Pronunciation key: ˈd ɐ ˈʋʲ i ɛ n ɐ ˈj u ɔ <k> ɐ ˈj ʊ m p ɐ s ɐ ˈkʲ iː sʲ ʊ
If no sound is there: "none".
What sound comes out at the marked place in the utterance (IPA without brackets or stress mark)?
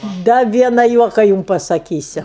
k